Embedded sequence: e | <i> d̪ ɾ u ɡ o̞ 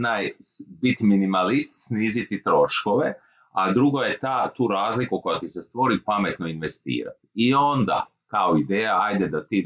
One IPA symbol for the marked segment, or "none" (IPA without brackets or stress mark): a